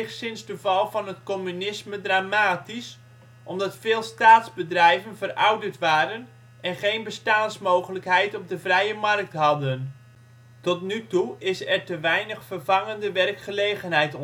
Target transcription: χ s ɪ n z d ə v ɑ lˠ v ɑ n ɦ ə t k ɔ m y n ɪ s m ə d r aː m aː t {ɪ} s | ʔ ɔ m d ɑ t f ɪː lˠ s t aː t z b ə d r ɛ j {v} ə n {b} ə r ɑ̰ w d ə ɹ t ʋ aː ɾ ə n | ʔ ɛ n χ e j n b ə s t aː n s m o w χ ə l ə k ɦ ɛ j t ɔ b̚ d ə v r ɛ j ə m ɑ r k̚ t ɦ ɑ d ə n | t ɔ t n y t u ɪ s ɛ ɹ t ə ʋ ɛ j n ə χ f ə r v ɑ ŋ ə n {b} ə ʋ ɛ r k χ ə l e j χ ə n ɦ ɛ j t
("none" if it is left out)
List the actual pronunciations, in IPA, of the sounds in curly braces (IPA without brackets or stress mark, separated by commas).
i, v, v, d